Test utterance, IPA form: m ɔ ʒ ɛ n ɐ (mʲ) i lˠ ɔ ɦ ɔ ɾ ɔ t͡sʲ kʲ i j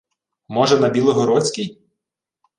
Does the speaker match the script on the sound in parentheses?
no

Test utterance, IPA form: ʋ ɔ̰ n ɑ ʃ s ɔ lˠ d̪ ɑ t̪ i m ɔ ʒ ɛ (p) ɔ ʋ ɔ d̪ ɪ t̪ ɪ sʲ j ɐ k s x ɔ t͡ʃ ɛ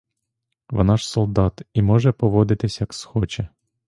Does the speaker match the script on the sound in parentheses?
yes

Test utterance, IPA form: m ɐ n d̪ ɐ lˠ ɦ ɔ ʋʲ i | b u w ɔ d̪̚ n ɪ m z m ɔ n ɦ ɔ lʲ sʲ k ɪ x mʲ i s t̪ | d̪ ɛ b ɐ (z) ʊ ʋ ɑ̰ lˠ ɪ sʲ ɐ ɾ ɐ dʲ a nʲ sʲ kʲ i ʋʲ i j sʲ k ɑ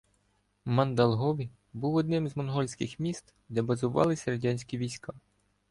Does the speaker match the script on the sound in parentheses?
yes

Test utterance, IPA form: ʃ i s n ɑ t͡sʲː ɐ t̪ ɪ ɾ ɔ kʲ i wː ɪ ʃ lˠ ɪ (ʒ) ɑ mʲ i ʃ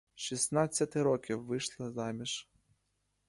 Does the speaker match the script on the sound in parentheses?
no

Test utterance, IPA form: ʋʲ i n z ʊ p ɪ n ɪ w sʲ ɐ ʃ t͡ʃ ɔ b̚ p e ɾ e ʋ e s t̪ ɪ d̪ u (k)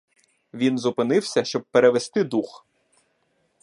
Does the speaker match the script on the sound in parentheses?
no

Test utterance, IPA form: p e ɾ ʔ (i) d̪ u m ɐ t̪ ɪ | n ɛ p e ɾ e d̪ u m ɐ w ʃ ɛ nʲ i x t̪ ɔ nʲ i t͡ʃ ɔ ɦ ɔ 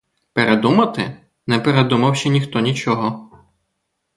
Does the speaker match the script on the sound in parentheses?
no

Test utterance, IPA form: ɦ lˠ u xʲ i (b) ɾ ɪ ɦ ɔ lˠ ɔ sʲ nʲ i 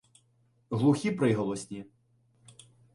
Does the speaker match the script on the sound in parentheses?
no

